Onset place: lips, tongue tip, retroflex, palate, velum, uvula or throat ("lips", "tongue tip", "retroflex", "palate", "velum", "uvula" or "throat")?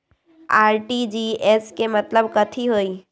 tongue tip